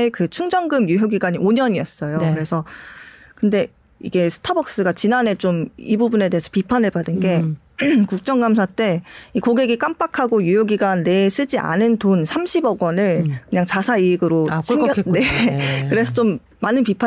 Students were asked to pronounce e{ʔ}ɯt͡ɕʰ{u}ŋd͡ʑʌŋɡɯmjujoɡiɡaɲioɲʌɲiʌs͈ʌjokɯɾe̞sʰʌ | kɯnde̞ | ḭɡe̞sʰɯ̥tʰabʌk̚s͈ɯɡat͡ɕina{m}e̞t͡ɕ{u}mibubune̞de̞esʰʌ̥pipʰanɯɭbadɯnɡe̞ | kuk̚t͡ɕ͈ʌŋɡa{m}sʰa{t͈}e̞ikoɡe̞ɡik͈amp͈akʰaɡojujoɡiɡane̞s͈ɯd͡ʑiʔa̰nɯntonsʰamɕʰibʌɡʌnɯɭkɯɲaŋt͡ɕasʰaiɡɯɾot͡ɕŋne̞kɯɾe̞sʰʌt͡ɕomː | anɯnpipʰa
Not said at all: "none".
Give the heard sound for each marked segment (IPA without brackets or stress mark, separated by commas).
k, u, n, o, m, t͈